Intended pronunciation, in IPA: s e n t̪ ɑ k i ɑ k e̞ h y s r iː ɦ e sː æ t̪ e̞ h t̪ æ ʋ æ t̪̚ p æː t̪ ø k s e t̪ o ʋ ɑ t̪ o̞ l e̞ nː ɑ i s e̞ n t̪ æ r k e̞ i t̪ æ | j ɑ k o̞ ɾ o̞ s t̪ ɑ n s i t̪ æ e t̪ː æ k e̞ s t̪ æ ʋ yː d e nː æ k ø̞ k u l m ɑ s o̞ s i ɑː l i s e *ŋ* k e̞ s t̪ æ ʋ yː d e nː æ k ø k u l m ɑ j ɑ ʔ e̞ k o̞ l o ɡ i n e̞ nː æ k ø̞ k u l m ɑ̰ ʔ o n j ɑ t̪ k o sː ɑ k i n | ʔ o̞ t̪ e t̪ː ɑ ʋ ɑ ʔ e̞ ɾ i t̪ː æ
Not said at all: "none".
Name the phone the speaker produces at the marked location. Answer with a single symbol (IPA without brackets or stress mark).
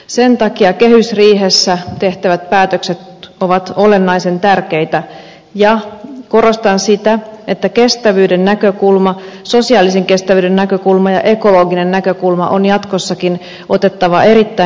ŋ